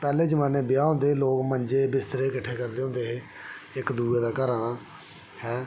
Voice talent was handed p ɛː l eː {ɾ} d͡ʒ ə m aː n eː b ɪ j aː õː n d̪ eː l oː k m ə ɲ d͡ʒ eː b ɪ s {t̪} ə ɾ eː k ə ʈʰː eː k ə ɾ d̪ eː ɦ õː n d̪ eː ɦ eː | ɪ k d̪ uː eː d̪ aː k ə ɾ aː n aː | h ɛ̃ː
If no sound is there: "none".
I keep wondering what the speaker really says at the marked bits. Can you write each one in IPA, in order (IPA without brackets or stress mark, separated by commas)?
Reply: none, t̪